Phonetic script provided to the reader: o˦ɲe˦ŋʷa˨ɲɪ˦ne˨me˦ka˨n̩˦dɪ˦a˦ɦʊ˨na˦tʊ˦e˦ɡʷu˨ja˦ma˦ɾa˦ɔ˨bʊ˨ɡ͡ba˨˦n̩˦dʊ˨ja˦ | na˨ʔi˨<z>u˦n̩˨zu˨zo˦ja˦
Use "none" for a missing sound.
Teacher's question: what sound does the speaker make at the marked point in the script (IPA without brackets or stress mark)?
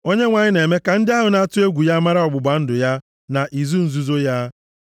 z